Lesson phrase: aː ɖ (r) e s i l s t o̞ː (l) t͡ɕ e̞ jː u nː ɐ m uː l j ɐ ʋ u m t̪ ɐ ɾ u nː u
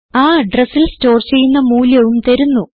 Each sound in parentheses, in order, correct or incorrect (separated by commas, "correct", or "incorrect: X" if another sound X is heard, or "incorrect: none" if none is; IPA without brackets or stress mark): correct, incorrect: r